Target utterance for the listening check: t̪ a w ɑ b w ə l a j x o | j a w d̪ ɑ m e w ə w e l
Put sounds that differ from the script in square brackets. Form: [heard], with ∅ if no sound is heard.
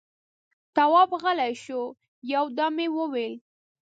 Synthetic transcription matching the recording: t̪ a w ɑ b [ɣ] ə l a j [ʃ] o | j a w d̪ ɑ m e w ə w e l